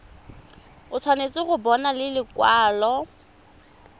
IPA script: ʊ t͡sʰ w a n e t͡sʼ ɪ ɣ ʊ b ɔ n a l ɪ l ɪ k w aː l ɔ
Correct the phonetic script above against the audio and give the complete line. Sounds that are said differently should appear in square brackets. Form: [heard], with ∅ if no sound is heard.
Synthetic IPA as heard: ʊ t͡sʰ w a n e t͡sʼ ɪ ɣ ʊ b ɔ n a l ɪ l ɪ k w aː l ɔ